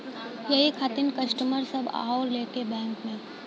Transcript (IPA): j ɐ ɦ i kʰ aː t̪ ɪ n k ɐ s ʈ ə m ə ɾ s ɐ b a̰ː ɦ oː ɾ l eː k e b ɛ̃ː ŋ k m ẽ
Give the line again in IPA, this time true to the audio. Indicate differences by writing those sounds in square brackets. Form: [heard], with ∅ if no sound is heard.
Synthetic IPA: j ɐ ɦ i kʰ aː t̪ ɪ n k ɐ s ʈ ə m ə ɾ s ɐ b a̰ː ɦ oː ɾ l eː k e b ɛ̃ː ŋ k m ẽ